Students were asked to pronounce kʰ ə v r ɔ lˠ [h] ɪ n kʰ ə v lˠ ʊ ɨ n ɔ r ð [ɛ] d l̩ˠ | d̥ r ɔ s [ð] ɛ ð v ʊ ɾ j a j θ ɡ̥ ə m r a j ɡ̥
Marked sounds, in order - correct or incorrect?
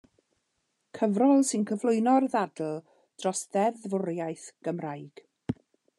incorrect, incorrect, correct

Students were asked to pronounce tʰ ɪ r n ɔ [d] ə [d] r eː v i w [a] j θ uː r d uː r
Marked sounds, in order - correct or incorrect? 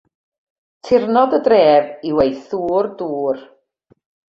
correct, correct, incorrect

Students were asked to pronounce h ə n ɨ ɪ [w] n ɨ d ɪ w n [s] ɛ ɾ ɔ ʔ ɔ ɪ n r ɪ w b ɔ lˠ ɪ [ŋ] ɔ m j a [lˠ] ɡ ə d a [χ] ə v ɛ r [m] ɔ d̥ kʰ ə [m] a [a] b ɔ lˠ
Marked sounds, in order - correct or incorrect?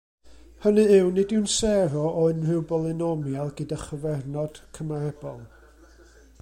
correct, correct, incorrect, correct, correct, incorrect, correct, incorrect

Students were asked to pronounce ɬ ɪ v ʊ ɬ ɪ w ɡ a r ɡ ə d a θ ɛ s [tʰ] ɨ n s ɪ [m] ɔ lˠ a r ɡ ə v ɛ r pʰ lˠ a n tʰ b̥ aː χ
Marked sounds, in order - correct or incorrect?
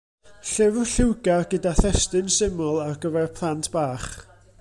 incorrect, correct

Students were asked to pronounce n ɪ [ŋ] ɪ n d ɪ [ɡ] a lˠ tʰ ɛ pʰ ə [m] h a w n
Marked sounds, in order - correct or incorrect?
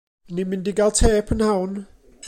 incorrect, correct, incorrect

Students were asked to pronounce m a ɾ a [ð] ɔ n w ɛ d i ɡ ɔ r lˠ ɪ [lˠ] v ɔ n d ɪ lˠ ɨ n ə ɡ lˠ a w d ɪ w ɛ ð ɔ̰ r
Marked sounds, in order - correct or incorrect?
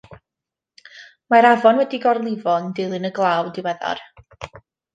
incorrect, incorrect

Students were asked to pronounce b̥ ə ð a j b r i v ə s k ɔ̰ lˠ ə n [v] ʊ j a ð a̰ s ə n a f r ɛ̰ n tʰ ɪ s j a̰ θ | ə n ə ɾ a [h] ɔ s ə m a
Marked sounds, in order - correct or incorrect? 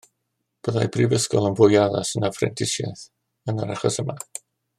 correct, incorrect

